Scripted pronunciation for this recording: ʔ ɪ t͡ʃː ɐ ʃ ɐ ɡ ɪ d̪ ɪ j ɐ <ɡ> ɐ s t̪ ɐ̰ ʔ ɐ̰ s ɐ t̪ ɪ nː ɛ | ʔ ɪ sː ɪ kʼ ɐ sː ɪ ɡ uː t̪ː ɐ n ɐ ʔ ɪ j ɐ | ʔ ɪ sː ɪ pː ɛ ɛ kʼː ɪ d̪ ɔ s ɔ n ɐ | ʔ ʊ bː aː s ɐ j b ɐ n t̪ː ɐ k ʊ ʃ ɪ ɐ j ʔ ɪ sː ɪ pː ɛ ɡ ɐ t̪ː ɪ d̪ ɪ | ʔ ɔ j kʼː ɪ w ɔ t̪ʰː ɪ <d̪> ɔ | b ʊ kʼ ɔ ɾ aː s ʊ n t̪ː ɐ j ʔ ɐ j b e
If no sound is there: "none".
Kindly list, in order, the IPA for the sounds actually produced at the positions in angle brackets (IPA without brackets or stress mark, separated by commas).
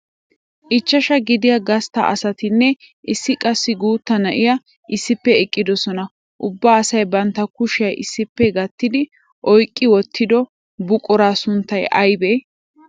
ɡ, d̪